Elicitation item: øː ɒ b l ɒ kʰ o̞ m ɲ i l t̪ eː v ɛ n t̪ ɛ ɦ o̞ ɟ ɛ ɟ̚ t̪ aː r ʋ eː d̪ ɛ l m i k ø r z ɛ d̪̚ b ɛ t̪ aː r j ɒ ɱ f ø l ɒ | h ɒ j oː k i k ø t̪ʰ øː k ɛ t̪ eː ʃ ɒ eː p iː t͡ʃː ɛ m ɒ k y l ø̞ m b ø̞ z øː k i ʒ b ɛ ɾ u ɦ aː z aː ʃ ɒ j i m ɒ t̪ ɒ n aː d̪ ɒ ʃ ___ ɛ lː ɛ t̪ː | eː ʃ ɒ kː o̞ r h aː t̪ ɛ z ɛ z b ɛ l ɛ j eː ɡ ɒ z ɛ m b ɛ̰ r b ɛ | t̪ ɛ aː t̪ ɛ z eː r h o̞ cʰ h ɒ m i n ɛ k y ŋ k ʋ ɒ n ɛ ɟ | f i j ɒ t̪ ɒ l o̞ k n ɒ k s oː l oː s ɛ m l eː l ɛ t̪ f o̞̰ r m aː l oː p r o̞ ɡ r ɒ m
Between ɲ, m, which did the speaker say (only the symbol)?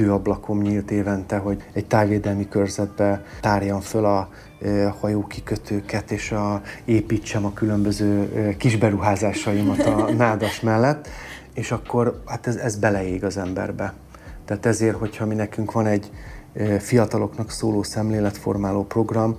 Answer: m